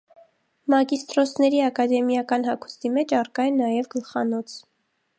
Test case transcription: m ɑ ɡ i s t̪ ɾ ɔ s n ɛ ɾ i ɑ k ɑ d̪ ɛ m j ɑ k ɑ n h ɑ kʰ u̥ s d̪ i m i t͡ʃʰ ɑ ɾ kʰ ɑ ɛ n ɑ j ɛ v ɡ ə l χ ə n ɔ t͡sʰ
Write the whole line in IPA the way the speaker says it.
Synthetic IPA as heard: m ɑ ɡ i s t̪ ɾ ɔ s n ɛ ɾ i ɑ k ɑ d̪ ɛ m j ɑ k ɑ n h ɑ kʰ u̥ s t̪ i m ɛ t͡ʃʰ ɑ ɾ k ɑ ɛ n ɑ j ɛ v ɡ ə l χ ɑ n ɔ t͡sʰ